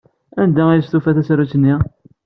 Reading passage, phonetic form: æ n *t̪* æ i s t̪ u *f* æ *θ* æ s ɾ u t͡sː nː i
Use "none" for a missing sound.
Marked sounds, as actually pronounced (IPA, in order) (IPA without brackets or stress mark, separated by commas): d̪, f, θ